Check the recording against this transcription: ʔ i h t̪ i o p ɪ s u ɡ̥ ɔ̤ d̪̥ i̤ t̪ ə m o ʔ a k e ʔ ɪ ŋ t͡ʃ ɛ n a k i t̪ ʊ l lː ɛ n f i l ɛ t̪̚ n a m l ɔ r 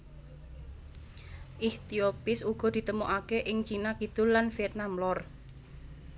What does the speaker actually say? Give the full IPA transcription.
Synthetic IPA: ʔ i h t̪ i o p ɪ s u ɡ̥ ɔ̤ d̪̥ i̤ t̪ ə m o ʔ a k e ʔ ɪ ŋ t͡ʃ i n a k i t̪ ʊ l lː a n f i ɛ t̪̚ n a m l ɔ r